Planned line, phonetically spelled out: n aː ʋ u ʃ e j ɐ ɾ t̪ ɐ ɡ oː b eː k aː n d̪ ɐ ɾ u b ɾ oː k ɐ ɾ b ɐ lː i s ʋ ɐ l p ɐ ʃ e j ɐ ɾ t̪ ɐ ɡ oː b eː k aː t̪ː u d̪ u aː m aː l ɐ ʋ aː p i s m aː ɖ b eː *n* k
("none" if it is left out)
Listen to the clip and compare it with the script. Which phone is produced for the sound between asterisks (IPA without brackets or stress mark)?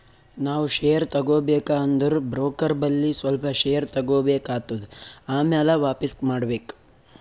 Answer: none